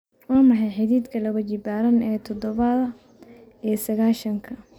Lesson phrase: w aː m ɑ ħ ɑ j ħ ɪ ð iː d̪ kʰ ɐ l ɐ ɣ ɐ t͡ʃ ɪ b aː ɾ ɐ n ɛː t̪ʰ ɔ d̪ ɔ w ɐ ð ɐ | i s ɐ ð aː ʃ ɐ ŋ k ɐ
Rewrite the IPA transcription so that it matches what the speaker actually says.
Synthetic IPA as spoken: w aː m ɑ ħ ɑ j ħ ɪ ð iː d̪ kʰ ɐ l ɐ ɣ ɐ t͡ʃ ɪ b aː ɾ ɐ n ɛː t̪ʰ ɔ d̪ ɔ β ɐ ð ɐ | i s ɐ ɣ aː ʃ ɐ ŋ kʰ ɐ